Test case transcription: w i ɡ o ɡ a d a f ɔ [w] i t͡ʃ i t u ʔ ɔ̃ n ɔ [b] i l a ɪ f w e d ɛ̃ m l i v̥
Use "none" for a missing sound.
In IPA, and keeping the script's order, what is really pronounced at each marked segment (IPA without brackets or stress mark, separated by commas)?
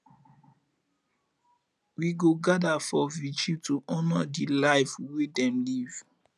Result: v, d